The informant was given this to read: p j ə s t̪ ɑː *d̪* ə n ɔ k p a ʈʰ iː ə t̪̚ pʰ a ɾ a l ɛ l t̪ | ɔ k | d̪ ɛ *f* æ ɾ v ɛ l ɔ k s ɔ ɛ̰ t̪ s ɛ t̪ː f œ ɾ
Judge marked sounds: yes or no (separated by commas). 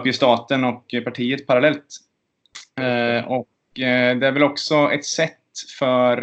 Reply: no, no